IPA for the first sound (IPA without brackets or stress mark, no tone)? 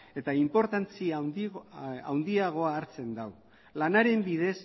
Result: e̞